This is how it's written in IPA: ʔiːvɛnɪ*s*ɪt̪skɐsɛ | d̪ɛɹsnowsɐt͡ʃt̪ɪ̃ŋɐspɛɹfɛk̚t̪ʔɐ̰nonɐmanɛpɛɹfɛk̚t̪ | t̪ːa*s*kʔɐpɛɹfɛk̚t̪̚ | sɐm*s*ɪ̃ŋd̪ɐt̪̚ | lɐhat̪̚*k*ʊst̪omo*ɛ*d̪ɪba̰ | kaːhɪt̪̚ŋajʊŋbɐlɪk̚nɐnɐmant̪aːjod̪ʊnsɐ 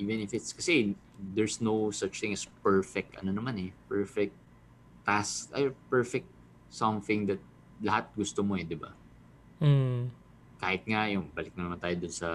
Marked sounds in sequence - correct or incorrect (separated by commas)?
incorrect, correct, incorrect, incorrect, correct